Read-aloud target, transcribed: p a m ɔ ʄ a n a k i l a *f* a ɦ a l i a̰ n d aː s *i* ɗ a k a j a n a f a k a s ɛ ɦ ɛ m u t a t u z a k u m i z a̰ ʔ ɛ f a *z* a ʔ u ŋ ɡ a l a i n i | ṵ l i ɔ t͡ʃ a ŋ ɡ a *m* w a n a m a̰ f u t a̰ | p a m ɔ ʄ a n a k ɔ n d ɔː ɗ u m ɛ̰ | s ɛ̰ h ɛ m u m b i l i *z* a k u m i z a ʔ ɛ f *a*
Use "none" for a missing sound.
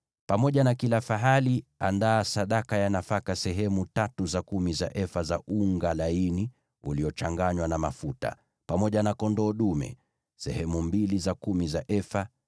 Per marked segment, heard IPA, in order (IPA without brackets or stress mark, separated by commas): f, a, z, ɲ, z, a